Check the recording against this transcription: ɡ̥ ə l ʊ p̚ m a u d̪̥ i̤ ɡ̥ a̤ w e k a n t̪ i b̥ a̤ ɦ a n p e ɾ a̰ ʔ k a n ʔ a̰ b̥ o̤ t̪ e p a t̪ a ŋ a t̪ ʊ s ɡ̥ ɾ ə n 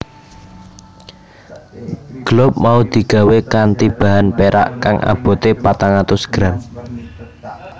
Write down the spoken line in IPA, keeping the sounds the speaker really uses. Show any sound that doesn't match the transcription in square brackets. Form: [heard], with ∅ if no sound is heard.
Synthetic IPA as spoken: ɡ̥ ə l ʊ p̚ m a u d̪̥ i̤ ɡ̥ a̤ w e k a n t̪ i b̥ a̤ ɦ a n p e ɾ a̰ ʔ k a [ŋ] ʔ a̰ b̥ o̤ t̪ e p a t̪ a ŋ a t̪ ʊ s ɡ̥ ɾ [a] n

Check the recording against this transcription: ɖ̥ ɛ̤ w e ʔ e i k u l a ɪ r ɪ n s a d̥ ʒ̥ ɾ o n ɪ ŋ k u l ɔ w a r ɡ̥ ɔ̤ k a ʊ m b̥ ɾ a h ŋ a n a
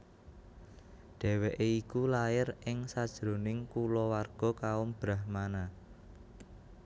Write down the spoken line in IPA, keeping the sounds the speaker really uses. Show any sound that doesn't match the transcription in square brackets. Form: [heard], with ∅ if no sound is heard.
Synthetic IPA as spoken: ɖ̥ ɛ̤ w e ʔ e i k u l a ɪ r ɪ [ŋ] s a d̥ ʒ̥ ɾ o n ɪ ŋ k u l ɔ w a r ɡ̥ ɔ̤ k a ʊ m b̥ ɾ a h [m] a n a

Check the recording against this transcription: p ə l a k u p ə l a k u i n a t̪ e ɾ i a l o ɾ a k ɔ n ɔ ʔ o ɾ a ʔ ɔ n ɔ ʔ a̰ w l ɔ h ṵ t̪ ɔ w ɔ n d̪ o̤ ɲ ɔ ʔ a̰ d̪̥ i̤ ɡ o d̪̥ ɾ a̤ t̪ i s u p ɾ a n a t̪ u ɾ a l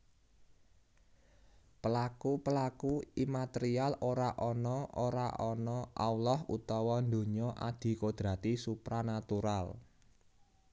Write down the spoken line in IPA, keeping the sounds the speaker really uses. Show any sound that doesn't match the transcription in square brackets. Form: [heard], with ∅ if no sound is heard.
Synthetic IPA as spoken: p ə l a k u p ə l a k u i [m] a t̪ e ɾ i a l o ɾ a [ʔ] ɔ n ɔ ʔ o ɾ a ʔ ɔ n ɔ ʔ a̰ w l ɔ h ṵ t̪ ɔ w ɔ n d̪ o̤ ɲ ɔ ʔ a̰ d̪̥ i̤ [k] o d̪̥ ɾ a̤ t̪ i s u p ɾ a n a t̪ u ɾ a l

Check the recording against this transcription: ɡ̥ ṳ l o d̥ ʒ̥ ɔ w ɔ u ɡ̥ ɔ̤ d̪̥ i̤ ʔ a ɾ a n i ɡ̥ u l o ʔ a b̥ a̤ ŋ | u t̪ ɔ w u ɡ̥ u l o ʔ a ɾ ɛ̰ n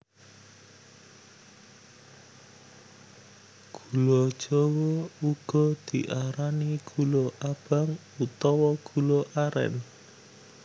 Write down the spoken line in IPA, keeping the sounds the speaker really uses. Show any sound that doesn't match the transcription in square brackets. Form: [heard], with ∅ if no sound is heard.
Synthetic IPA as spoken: ɡ̥ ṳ l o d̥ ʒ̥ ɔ w ɔ u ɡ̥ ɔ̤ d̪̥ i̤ ʔ a ɾ a n i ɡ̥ u l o ʔ a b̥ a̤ ŋ | u t̪ ɔ w [ɔ] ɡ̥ u l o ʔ a ɾ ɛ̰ n

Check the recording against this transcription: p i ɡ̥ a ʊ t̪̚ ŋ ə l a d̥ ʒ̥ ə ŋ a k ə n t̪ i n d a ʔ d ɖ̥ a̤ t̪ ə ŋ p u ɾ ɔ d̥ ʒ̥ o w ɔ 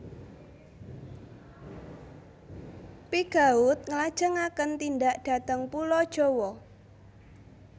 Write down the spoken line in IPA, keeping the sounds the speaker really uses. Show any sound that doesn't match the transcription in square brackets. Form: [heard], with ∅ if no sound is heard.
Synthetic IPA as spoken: p i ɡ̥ a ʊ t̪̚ ŋ ə l a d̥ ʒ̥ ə ŋ a k ə n t̪ i n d a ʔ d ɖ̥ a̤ t̪ ə ŋ p u [l] ɔ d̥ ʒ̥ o w ɔ

